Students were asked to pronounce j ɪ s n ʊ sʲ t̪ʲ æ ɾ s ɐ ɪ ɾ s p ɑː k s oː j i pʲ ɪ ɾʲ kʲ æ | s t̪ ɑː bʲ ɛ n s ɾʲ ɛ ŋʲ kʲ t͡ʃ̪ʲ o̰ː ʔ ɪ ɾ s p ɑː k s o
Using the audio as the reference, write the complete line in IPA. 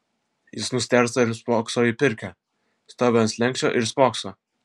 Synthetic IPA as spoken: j ɪ s n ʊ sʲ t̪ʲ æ ɾ s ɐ ɪ ɾ s p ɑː k s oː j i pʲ ɪ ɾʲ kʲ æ | s t̪ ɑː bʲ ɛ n s lʲ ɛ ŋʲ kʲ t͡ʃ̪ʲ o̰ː ʔ ɪ ɾ s p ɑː k s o

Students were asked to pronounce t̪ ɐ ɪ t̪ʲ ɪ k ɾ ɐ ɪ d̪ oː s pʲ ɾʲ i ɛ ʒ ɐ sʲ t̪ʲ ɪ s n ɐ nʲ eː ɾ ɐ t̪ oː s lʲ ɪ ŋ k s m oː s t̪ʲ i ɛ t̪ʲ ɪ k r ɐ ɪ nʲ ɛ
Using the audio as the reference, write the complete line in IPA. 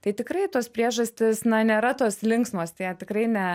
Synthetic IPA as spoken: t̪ ɐ ɪ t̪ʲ ɪ k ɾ ɐ ɪ t̪ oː s pʲ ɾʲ i ɛ ʒ ɐ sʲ t̪ʲ ɪ s n ɐ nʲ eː ɾ ɐ t̪ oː s lʲ ɪ ŋ k s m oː s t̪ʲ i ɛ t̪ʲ ɪ k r ɐ ɪ nʲ ɛ

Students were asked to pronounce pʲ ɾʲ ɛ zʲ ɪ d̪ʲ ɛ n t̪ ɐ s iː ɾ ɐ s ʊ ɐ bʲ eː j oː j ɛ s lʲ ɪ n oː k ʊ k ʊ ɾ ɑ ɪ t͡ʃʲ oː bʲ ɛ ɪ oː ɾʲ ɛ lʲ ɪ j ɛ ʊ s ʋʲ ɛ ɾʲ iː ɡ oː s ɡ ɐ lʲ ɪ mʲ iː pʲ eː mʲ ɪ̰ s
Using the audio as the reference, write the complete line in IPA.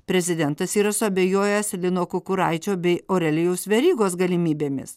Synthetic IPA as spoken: pʲ ɾʲ ɛ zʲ ɪ d̪ʲ ɛ n t̪ ɐ s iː ɾ ɐ s ʊ ɐ bʲ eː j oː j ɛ s lʲ ɪ n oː k ʊ k ʊ ɾ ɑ ɪ t͡ʃʲ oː bʲ ɛ ɪ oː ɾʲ ɛ lʲ ɪ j ɛ ʊ s ʋʲ ɛ ɾʲ iː ɡ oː s ɡ ɐ lʲ ɪ mʲ iː bʲ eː mʲ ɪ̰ s

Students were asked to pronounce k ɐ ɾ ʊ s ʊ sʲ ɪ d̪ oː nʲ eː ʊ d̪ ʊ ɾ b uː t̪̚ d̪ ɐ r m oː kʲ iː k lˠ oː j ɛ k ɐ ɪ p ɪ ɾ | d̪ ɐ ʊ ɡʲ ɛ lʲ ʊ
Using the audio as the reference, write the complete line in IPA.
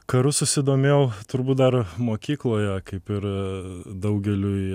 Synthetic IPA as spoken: k ɐ ɾ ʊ s ʊ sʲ ɪ d̪ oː mʲ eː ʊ t̪ ʊ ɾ b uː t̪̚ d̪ ɐ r m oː kʲ iː k lˠ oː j ɛ k ɐ ɪ p ɪ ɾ | d̪ ɐ ʊ ɡʲ ɛ lʲ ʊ

